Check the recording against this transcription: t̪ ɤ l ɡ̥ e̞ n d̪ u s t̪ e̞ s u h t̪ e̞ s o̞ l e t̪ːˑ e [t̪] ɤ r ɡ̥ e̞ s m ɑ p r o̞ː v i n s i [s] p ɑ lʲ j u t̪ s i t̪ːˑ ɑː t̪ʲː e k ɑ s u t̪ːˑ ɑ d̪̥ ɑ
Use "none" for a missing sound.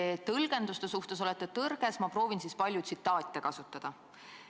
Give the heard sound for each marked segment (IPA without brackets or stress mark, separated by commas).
t̪, s